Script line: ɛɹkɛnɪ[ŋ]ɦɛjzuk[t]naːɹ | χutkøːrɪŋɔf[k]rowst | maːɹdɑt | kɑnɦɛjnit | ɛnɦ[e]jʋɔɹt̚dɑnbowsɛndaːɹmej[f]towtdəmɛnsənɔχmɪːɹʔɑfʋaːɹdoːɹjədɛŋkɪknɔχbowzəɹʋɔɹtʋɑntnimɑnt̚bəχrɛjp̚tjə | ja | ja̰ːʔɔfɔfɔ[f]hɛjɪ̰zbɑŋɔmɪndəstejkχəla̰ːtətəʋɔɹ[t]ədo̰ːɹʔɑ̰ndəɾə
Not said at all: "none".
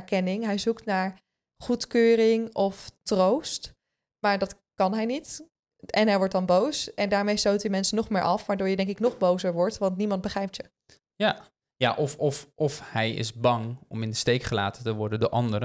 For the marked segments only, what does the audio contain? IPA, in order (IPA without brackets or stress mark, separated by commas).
ŋ, t, t, ɛ, s, f, d